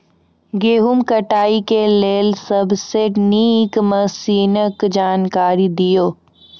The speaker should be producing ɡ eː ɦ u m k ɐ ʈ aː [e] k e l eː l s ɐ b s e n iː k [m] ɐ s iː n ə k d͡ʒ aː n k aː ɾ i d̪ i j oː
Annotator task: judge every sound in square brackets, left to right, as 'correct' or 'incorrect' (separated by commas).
incorrect, correct